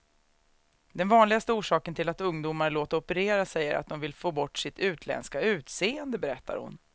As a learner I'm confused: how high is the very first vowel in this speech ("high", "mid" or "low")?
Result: mid